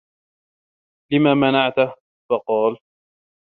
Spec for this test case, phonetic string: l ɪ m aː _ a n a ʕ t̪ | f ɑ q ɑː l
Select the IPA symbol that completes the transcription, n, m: m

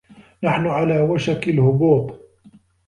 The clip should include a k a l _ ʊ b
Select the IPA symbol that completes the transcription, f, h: h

